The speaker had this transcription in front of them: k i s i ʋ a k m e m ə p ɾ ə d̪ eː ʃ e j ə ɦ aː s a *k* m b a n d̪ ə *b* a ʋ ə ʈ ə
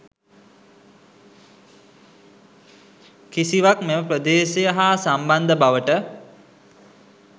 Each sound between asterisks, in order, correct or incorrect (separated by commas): incorrect, correct